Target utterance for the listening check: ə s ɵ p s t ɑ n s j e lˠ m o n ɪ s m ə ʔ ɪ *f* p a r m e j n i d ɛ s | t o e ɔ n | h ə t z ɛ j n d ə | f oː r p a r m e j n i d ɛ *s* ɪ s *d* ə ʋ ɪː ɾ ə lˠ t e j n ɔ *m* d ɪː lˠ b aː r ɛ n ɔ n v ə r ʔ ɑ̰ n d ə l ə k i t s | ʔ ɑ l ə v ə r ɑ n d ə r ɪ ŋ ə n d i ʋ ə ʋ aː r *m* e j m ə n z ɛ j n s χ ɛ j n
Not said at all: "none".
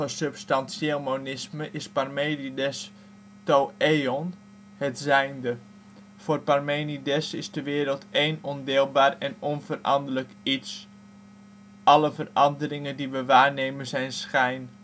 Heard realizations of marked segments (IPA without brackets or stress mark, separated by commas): s, s, d, n, n